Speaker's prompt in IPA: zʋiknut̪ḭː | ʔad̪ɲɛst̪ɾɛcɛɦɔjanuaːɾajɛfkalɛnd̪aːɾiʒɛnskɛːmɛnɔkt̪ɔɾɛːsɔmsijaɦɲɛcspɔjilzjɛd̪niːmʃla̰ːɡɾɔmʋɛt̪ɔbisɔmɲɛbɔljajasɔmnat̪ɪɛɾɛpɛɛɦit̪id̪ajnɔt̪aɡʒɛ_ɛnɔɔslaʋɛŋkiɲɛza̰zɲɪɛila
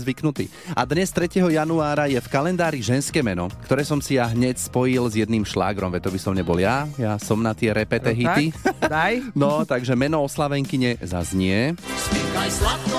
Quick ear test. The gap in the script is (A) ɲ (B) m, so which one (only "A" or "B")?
B